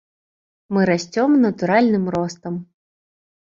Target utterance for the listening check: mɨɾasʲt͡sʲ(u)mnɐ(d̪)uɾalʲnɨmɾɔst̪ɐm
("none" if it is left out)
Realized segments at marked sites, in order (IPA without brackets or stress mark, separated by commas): ɔ, t̪